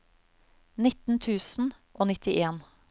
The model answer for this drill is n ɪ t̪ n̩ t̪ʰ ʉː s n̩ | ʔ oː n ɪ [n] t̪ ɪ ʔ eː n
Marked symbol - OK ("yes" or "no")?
no